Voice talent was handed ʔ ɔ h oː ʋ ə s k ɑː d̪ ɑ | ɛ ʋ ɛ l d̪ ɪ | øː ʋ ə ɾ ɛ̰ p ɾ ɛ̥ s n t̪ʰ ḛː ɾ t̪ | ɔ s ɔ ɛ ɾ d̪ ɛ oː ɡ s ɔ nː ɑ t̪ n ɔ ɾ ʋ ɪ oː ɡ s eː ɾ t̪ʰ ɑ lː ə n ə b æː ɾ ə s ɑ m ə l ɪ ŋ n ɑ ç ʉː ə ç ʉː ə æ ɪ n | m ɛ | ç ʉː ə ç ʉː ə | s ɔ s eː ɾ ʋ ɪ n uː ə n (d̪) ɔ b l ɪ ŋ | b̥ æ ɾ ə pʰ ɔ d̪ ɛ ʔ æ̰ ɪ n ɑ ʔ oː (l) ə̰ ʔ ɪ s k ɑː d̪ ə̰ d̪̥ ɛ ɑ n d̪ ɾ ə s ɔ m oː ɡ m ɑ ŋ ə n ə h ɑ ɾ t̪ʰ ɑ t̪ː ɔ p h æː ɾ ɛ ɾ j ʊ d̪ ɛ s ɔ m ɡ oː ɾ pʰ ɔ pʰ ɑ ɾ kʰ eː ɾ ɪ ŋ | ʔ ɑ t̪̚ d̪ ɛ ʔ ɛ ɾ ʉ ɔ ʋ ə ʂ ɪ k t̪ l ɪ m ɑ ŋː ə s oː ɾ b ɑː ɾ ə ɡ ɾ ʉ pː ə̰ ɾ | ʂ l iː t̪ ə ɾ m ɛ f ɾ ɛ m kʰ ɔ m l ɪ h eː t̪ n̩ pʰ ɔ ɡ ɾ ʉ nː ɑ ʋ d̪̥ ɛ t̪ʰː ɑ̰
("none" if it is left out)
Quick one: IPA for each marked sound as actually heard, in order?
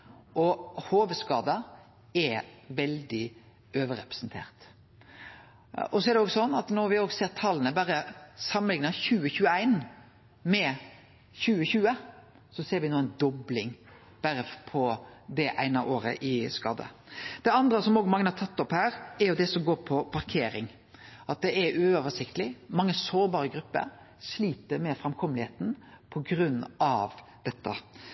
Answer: d̪, ɾ

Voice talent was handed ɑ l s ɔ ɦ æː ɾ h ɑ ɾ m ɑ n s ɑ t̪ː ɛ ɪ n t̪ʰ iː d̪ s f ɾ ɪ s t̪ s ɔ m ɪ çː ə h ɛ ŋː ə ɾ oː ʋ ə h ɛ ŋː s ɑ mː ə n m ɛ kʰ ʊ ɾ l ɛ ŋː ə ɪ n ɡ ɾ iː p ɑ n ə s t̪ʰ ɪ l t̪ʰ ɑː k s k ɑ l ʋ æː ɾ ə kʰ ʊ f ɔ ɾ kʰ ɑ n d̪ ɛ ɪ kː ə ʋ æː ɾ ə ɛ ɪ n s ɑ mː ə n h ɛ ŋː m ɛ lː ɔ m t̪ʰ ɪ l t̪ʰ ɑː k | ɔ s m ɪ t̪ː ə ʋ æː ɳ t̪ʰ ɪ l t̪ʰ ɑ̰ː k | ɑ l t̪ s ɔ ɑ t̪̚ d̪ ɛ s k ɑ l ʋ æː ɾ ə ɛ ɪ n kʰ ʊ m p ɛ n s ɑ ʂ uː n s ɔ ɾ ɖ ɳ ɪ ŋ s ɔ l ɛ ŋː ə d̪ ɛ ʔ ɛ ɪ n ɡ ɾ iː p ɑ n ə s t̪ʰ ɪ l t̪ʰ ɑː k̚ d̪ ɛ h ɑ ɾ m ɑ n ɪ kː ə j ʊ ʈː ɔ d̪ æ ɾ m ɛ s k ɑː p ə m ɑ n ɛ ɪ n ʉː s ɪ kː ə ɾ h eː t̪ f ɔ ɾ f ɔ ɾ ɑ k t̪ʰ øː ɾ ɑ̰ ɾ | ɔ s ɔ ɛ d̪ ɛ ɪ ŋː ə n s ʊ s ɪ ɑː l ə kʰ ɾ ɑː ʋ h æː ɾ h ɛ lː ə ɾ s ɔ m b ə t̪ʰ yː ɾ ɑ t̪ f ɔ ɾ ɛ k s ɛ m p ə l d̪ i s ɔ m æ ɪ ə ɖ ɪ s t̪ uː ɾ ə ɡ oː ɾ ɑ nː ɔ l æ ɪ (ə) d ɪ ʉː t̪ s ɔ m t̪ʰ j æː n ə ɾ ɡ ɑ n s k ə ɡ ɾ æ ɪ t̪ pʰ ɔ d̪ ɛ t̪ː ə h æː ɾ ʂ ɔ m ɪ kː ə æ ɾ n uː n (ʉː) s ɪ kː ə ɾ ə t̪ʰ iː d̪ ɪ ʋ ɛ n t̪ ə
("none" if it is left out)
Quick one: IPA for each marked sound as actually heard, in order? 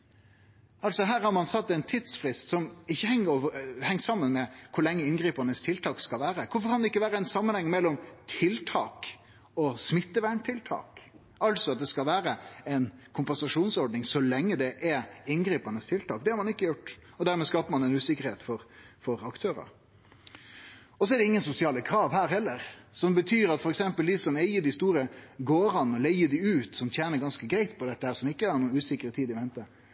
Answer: ə, ʉː

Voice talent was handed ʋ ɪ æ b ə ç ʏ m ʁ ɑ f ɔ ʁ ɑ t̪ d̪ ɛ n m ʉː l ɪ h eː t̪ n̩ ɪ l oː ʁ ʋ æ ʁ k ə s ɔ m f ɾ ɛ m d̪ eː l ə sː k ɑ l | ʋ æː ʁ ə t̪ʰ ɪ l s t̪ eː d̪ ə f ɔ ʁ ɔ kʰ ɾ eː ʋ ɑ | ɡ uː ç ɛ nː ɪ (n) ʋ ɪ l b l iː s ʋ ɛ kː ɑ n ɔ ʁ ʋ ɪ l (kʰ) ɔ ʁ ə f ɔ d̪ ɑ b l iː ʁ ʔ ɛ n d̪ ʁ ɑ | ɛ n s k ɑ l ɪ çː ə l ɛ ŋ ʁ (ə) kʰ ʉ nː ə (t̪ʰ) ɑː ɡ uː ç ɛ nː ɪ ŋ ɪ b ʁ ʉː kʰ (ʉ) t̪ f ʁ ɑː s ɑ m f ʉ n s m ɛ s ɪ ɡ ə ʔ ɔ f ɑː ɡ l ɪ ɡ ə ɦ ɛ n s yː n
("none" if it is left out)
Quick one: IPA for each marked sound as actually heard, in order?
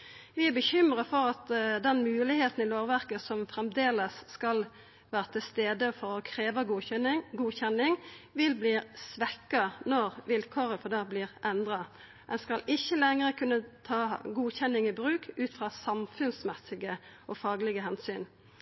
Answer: ŋ, kʰ, ə, t̪ʰ, ʉː

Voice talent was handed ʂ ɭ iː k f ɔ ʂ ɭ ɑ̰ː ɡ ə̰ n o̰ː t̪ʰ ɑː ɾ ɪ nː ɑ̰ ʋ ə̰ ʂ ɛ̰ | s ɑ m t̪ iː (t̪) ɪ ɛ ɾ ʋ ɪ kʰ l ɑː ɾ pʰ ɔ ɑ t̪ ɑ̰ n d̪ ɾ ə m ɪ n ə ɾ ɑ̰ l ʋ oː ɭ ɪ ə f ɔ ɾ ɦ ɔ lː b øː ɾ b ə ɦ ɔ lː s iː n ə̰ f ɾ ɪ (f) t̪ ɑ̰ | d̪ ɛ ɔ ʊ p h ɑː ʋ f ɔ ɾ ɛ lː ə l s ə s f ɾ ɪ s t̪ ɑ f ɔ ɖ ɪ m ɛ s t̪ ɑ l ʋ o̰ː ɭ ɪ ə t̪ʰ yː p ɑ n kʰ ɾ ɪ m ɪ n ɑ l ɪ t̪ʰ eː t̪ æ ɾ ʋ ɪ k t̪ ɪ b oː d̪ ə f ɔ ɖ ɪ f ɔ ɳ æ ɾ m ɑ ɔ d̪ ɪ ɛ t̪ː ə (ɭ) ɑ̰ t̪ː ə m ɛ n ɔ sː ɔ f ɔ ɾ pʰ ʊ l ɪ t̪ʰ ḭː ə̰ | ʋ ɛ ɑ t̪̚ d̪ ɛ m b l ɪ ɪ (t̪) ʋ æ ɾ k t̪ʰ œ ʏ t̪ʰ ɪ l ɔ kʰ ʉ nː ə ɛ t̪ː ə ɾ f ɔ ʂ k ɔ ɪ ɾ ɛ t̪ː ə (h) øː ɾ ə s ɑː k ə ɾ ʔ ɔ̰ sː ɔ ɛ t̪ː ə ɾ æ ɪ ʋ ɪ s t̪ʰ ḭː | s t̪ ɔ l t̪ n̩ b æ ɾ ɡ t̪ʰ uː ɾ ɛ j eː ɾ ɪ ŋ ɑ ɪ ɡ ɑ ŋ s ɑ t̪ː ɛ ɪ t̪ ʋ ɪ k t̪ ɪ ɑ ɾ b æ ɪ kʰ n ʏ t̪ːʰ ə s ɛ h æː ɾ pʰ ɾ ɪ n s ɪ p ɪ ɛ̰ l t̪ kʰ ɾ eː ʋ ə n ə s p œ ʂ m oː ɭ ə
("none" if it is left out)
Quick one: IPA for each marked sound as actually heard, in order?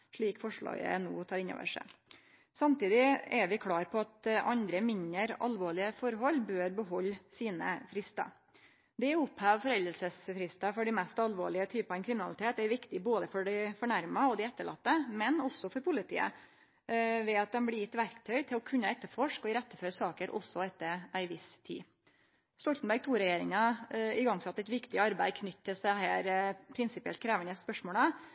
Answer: d̪, s, ɭ, t̪, f

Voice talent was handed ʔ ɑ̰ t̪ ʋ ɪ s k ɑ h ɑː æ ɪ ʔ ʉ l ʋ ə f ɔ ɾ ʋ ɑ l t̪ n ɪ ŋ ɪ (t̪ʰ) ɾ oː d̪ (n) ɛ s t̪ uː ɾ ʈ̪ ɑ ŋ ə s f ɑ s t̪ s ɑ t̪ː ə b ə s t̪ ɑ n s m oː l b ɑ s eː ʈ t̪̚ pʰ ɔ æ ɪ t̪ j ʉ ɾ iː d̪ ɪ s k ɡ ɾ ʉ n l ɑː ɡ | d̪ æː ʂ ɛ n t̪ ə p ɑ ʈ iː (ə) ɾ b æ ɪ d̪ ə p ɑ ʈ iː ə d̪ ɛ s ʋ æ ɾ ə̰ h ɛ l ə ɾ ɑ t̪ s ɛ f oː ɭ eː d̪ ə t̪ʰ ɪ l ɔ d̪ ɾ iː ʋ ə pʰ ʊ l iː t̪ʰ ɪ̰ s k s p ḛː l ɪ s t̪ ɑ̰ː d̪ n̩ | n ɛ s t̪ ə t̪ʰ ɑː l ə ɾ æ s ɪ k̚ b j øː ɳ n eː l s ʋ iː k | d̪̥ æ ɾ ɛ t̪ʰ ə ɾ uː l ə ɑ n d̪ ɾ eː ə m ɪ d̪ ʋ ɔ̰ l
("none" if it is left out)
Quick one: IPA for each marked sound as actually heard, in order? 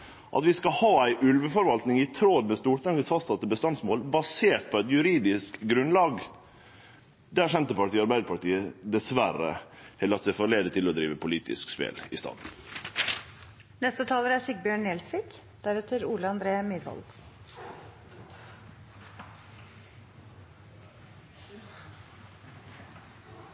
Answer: t̪ʰ, m, ɑ

